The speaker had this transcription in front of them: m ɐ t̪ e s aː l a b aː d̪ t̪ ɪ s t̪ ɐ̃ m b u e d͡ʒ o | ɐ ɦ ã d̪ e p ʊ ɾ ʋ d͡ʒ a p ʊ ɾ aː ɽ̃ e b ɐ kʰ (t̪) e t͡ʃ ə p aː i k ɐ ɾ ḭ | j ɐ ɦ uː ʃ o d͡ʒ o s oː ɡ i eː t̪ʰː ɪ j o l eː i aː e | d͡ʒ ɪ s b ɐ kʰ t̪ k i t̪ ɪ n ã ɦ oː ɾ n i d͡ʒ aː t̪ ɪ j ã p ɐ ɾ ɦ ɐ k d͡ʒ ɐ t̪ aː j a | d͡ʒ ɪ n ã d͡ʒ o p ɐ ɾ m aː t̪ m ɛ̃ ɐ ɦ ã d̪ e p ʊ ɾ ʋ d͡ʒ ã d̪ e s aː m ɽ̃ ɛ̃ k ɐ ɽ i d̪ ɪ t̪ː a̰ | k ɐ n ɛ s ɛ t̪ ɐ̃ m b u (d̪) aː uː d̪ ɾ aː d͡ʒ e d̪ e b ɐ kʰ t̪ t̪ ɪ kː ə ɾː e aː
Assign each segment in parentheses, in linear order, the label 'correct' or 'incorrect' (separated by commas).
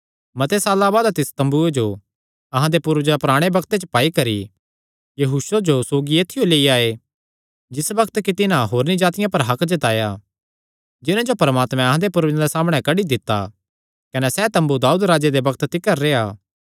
correct, correct